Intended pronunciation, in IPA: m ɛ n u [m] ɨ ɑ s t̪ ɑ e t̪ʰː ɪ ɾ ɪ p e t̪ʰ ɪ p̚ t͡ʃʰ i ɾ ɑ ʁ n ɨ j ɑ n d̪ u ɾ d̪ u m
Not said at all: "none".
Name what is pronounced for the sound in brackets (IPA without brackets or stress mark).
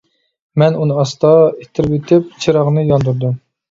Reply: n